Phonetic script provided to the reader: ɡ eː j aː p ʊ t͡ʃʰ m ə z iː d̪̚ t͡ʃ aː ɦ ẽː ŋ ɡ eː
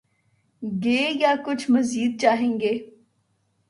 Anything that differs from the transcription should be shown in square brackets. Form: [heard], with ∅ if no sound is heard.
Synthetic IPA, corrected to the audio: ɡ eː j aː [k] ʊ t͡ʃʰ m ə z iː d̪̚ t͡ʃ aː ɦ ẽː ŋ ɡ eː